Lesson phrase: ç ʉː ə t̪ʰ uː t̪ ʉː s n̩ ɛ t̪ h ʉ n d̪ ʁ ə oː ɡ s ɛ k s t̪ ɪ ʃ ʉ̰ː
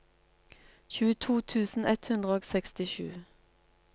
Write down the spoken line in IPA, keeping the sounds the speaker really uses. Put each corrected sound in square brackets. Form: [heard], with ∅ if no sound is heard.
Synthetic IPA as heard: ç ʉː ə t̪ʰ uː [t̪ʰ] ʉː s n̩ ɛ t̪ h ʉ n d̪ ʁ ə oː ɡ s ɛ k s t̪ ɪ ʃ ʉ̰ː